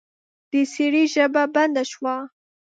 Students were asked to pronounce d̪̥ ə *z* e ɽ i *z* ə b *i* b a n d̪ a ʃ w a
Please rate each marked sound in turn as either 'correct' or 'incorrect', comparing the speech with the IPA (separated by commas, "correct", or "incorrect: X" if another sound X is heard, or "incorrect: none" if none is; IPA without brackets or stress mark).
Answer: incorrect: s, incorrect: ʒ, incorrect: a